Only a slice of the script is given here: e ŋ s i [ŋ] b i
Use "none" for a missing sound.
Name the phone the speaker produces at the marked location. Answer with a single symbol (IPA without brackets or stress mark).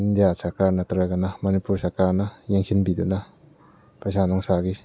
n